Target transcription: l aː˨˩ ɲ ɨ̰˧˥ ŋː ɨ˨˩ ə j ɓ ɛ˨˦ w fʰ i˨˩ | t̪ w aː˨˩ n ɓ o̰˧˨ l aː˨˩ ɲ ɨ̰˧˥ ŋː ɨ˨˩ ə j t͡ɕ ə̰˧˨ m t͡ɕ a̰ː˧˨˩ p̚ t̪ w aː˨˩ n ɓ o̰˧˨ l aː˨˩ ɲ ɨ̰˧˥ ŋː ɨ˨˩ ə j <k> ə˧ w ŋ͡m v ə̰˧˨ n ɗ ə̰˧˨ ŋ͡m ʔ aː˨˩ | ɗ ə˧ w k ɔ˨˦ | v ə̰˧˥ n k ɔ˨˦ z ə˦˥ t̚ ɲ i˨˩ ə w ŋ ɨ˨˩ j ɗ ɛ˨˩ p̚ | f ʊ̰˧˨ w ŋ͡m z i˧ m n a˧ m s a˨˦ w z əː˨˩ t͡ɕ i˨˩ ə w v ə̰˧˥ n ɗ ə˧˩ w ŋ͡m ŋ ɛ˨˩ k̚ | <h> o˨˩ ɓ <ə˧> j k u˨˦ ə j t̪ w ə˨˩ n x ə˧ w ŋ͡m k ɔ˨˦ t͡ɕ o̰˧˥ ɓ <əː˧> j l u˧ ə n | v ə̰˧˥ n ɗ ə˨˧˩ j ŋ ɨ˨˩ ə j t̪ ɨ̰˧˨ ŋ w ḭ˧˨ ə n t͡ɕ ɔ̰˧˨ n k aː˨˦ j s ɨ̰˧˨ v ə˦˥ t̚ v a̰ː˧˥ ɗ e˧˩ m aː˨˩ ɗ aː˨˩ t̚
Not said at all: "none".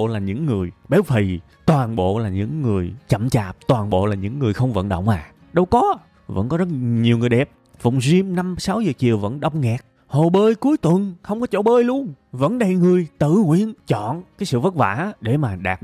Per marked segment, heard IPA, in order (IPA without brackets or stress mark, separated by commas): x, h, əː˧, əː˧